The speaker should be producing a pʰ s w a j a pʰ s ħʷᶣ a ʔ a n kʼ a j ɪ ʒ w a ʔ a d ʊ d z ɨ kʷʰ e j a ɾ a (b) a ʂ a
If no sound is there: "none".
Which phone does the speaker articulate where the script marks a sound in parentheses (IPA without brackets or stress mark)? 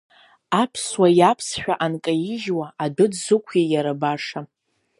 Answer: b